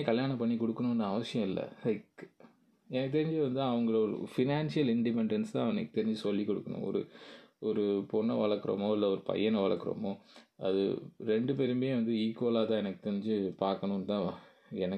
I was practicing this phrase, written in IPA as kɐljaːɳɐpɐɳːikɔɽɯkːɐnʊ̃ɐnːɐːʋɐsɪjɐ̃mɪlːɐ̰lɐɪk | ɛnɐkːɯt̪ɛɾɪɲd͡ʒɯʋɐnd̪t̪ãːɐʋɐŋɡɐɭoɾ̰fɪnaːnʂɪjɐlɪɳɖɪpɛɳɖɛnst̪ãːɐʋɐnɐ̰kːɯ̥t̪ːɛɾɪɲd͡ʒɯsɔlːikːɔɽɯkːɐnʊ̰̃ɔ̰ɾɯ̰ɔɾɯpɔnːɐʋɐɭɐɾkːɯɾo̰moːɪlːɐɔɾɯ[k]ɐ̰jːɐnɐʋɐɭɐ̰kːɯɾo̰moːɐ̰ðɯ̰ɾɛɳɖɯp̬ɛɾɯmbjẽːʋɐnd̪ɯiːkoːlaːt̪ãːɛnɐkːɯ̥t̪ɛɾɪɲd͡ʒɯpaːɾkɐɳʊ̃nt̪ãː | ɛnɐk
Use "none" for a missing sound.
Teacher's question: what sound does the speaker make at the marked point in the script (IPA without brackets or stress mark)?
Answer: p